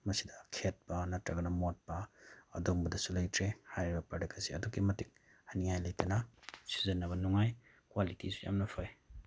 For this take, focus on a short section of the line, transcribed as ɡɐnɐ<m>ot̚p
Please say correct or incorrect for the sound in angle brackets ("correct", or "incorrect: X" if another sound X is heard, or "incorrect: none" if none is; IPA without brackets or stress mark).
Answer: correct